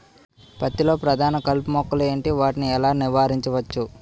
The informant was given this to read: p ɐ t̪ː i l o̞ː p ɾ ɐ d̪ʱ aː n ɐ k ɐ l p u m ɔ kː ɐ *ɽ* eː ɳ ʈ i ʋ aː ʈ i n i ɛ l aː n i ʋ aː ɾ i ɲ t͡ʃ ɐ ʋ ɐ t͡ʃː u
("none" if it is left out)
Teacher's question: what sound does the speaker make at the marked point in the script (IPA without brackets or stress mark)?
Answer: l